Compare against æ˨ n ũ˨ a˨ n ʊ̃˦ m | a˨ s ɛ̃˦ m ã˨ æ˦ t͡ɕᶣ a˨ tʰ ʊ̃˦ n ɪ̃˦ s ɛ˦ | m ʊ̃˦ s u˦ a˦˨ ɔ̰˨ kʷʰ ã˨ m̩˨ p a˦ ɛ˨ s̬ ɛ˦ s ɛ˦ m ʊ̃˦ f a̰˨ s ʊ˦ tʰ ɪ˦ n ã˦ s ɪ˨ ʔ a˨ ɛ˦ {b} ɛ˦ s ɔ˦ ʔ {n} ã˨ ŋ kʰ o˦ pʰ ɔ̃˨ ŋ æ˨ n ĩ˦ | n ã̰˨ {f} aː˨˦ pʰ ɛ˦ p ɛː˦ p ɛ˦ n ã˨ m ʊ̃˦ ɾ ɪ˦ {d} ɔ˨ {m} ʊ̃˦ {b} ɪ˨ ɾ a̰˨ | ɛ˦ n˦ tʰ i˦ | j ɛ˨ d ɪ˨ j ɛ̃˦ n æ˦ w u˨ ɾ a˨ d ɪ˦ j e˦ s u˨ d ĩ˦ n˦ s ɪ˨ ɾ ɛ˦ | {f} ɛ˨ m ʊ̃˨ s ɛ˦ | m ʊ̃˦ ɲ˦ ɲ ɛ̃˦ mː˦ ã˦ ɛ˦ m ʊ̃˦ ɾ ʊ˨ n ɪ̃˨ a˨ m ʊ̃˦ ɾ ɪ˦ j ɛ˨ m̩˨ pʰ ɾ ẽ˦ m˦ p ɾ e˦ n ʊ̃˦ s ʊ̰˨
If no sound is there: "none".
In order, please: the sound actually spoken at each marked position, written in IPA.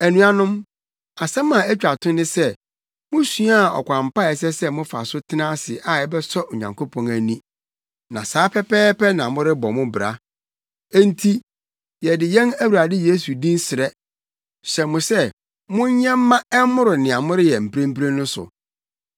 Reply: b, ɲ, s, b, m, b, ɕ

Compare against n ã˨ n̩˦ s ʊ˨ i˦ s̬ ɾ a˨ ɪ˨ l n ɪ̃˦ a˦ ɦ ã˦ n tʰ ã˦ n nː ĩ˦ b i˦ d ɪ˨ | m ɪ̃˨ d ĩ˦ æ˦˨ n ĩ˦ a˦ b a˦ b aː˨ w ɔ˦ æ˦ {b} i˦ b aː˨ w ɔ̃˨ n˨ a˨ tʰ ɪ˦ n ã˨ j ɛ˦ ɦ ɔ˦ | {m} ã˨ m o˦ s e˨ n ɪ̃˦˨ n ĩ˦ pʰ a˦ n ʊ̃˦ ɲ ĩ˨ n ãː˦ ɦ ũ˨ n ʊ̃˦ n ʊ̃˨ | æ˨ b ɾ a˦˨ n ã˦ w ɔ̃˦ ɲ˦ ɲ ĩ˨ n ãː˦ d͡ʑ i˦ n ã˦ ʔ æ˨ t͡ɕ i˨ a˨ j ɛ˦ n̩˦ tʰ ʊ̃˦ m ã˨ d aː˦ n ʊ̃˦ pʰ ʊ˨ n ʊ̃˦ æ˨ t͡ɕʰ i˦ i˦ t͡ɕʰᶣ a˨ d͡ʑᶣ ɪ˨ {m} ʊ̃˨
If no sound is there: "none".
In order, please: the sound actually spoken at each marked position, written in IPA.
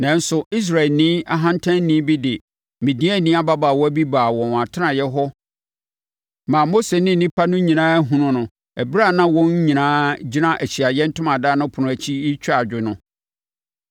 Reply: b, m, n

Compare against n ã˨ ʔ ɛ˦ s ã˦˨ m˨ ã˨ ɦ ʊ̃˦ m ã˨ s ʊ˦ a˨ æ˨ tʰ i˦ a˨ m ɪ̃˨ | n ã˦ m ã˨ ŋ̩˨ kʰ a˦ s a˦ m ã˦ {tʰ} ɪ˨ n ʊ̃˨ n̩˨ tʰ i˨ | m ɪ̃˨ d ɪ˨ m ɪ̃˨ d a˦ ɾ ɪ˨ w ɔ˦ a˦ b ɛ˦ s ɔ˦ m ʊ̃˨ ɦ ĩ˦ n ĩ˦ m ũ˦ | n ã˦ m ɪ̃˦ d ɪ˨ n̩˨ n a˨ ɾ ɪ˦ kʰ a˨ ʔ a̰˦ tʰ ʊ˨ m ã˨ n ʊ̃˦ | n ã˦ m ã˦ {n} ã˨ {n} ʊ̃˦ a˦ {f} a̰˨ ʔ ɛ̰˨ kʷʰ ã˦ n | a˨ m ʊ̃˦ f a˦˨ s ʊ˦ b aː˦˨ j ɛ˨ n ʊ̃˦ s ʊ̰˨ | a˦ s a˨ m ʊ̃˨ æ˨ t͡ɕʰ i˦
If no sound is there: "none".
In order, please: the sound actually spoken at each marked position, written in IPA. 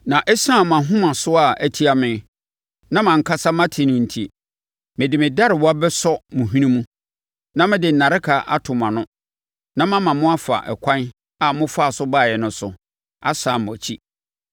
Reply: tʰ, m, m, f

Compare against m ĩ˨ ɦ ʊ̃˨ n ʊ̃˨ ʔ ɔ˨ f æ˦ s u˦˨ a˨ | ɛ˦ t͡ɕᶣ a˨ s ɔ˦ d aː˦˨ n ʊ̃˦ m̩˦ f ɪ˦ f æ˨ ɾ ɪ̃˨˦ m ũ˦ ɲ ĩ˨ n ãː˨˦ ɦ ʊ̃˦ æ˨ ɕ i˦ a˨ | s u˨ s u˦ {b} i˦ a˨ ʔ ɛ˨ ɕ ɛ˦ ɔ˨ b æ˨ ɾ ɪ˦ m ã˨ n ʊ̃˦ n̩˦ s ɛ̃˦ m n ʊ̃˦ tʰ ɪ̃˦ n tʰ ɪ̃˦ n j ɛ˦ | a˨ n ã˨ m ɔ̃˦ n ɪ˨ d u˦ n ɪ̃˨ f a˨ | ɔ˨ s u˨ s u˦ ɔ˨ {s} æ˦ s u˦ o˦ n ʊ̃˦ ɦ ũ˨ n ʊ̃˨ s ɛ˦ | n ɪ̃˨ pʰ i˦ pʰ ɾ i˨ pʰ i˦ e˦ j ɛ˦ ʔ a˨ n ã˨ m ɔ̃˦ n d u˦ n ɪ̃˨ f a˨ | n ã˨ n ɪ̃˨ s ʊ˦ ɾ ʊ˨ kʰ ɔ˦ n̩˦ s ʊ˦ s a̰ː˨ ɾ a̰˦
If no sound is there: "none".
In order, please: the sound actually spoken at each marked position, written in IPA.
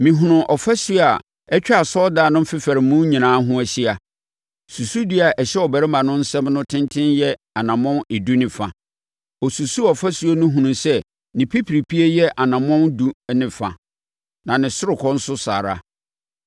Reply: d, f

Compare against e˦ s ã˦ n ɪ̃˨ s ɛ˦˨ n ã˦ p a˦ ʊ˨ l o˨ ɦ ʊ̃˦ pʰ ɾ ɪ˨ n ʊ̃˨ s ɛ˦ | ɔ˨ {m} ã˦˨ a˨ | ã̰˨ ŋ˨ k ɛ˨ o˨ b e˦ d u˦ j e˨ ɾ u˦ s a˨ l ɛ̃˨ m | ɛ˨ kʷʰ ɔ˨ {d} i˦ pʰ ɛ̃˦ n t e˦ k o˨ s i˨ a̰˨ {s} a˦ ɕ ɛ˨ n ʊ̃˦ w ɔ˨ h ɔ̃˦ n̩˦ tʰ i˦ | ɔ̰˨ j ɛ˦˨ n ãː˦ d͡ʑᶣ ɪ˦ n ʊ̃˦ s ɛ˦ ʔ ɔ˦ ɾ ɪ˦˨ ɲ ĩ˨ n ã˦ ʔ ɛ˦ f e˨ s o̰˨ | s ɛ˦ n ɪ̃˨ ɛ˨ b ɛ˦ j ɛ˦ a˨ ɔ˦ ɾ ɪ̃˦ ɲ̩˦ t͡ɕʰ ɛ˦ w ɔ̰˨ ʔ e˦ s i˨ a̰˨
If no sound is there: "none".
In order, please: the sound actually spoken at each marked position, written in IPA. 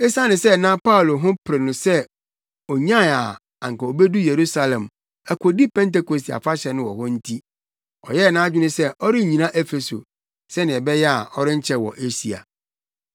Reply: ɲ, d, f

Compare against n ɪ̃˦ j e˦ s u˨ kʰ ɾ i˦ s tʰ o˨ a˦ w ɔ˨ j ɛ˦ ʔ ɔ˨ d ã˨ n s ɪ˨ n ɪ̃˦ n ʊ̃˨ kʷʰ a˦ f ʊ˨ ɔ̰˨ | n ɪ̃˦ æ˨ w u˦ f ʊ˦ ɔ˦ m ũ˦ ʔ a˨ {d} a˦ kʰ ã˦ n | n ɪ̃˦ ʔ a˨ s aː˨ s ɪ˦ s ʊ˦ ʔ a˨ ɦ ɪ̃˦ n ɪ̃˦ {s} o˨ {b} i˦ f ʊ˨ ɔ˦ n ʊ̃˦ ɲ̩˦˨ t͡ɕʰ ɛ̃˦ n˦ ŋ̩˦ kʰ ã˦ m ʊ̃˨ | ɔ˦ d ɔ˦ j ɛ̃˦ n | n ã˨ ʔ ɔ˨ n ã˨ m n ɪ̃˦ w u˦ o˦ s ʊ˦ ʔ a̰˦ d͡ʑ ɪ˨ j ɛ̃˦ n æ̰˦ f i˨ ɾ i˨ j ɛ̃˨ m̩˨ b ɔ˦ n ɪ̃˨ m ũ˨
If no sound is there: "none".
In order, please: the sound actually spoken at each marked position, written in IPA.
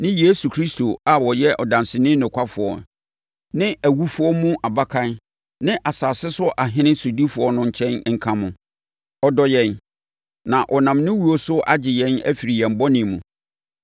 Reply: b, s, d

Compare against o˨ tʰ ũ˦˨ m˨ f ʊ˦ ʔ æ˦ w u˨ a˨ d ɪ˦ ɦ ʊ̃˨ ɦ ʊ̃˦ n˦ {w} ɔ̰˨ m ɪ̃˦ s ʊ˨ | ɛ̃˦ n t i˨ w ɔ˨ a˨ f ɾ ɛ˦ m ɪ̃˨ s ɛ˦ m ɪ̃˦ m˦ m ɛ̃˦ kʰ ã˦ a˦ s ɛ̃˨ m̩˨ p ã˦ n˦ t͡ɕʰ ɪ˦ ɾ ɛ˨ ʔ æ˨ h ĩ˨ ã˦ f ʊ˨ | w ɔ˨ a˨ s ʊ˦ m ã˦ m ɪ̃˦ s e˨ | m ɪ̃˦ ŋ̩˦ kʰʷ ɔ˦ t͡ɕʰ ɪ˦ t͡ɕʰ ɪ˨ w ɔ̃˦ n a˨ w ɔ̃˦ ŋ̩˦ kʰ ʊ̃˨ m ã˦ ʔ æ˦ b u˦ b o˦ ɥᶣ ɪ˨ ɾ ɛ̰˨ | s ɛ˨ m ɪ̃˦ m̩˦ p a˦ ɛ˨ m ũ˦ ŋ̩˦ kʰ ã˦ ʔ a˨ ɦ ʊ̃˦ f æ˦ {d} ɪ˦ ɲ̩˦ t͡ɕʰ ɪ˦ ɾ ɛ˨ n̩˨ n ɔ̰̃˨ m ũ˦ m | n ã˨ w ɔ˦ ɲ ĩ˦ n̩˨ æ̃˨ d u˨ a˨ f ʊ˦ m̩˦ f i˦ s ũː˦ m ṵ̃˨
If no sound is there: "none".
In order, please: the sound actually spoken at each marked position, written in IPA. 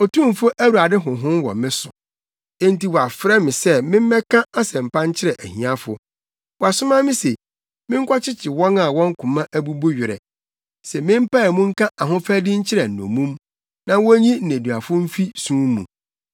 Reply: w, d

